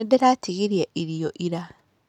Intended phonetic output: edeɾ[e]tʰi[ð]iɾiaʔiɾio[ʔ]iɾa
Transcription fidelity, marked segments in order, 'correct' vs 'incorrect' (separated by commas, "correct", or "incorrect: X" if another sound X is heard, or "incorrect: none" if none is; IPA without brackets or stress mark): incorrect: a, incorrect: ɣ, correct